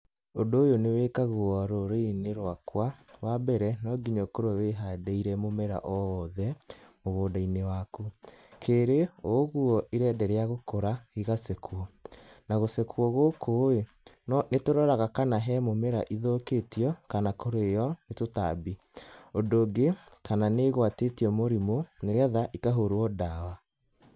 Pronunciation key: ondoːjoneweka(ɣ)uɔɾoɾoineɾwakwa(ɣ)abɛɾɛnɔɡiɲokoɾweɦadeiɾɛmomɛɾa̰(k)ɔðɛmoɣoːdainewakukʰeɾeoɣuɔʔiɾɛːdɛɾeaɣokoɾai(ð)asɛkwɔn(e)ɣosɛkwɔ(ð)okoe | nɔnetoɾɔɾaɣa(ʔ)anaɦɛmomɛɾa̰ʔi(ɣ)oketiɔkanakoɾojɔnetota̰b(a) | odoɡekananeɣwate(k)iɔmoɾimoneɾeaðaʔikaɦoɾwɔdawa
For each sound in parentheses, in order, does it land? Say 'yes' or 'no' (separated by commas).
yes, no, no, no, no, no, no, no, no, no